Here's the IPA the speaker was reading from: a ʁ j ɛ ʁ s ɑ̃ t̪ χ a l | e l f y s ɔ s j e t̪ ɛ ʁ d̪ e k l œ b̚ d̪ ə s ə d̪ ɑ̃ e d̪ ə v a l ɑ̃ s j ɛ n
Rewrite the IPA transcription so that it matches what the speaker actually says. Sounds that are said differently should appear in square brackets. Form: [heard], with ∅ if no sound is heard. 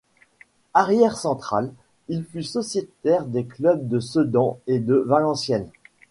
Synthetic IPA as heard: a ʁ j ɛ ʁ s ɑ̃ t̪ χ a l | [i] l f y s ɔ s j e t̪ ɛ ʁ d̪ e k l œ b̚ d̪ ə s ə d̪ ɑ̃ e d̪ ə v a l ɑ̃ s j ɛ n

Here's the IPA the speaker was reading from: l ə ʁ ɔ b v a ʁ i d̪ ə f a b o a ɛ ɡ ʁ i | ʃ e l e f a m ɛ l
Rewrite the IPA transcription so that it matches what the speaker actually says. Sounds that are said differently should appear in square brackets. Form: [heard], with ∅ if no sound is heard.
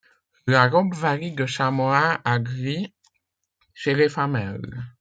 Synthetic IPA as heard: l [a] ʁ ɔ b v a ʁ i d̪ ə [ʃ] a [m] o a [a] ɡ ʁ i | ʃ e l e f a m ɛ l

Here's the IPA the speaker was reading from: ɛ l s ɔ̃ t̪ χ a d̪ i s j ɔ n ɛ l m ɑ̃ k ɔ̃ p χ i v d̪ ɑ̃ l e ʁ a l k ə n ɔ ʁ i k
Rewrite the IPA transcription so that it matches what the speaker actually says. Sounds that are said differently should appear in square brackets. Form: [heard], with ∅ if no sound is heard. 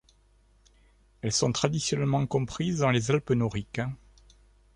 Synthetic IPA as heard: ɛ l s ɔ̃ t̪ χ a d̪ i s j ɔ n ɛ l m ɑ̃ k ɔ̃ p χ i [z] d̪ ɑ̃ l e [z] a l [p] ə n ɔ ʁ i k

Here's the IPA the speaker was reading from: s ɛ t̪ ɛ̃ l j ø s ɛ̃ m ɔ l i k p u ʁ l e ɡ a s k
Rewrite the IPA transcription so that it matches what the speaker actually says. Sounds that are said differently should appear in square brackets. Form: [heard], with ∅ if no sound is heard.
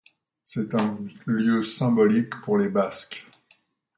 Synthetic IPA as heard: s ɛ t̪ ɛ̃ l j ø s ɛ̃ [b] ɔ l i k p u ʁ l e [b] a s k

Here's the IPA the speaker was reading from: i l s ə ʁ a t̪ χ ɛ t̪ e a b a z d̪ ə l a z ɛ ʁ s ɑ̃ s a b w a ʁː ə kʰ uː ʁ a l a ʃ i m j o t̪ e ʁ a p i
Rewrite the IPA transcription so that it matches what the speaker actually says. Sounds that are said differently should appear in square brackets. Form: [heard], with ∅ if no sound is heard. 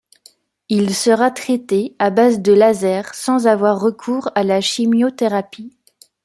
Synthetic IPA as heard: i l s ə ʁ a t̪ χ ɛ t̪ e a b a z d̪ ə l a z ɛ ʁ s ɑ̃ [z] a [v] w a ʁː ə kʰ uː ʁ a l a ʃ i m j o t̪ e ʁ a p i

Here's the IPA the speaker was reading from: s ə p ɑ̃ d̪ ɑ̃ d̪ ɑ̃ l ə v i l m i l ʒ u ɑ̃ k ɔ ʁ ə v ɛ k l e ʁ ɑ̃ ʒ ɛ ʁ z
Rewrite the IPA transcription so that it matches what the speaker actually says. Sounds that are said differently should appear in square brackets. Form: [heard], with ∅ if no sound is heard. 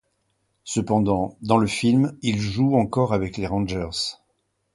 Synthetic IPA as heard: s ə p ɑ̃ d̪ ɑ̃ d̪ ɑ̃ l ə [f] i l m i l ʒ u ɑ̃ k ɔ ʁ [a] v ɛ k l e ʁ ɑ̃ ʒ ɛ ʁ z

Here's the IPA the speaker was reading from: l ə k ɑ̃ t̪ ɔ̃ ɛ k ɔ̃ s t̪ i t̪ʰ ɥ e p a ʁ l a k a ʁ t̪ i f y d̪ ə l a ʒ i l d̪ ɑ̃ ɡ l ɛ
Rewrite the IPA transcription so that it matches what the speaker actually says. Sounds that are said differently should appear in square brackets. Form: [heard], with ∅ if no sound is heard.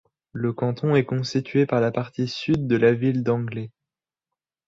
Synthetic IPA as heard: l ə k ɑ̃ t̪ ɔ̃ ɛ k ɔ̃ s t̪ i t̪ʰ ɥ e p a ʁ l a [p] a ʁ t̪ i [s] y [d̪ː] ə l a [v] i l d̪ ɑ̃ ɡ l ɛ

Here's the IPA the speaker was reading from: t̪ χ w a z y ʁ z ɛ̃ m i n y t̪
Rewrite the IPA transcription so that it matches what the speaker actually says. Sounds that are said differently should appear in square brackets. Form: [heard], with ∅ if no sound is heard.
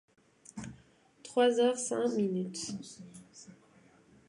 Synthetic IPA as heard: t̪ χ w a z [œ] ʁ [s] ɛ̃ m i n y t̪

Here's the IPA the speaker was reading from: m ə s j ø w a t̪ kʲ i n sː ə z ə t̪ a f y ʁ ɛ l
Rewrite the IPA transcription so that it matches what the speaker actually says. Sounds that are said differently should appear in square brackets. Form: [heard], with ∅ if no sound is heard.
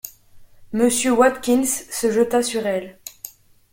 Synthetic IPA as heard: m ə s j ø w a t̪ kʲ i n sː ə [ʒ] ə t̪ a [s] y ʁ ɛ l

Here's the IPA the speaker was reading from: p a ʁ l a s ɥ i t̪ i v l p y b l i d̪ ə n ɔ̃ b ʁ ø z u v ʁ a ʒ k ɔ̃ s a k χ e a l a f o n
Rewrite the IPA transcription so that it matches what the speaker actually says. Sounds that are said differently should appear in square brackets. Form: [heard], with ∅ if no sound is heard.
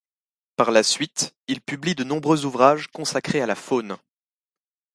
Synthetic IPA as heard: p a ʁ l a s ɥ i t̪ i [∅] l p y b l i d̪ ə n ɔ̃ b ʁ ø z u v ʁ a ʒ k ɔ̃ s a k χ e a l a f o n

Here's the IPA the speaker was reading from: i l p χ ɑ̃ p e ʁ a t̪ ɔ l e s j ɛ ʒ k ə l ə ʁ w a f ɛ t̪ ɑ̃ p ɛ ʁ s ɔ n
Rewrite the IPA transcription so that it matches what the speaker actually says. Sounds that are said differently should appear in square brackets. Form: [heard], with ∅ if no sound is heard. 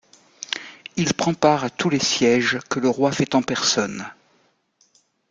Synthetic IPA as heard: i l p χ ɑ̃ p [a] ʁ a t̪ [u] l e s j ɛ ʒ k ə l ə ʁ w a f ɛ t̪ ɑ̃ p ɛ ʁ s ɔ n

